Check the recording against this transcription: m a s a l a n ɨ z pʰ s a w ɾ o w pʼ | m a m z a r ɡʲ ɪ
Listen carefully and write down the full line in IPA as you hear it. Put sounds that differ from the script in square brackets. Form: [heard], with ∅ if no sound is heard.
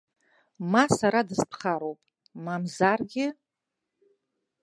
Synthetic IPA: m a s a [ɾ] a [d] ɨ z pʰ [χ] a [∅] ɾ o w pʼ | m a m z a r ɡʲ ɪ